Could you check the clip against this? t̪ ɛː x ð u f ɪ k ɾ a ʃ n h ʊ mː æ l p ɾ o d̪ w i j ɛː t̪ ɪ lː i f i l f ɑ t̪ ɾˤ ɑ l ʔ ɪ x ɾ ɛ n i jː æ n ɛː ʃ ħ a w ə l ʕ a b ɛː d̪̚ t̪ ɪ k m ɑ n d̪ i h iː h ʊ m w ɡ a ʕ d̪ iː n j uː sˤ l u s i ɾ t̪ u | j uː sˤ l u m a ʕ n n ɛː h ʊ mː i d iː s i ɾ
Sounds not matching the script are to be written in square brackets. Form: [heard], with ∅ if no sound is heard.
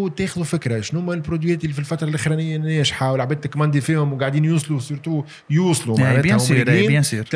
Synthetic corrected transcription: t̪ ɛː x ð u f ɪ k ɾ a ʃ n h ʊ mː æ l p ɾ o d̪ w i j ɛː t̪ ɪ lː i f i l f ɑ t̪ ɾˤ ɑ l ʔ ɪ x ɾ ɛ n [ɪ] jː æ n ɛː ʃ ħ a w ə l ʕ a b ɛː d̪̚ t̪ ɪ k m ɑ n d̪ i [f] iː h ʊ m w ɡ a ʕ d̪ iː n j uː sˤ l u s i ɾ t̪ u | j uː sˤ l u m a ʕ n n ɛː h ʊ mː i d iː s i ɾ